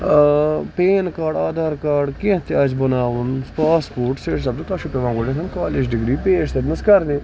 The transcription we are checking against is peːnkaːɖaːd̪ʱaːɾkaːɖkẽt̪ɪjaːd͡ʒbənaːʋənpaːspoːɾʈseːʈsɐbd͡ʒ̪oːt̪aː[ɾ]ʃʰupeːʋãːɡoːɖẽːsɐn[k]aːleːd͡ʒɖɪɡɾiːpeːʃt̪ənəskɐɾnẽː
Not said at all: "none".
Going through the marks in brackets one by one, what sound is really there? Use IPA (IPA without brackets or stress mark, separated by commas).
none, k